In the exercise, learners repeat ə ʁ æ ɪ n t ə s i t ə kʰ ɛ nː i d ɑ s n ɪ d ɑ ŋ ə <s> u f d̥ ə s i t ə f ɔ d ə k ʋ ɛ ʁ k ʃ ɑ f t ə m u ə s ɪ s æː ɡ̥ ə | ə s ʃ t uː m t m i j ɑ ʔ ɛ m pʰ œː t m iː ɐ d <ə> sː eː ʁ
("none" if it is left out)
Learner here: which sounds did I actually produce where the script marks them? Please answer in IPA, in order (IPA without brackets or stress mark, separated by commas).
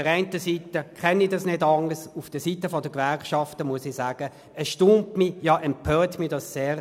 s, ɑ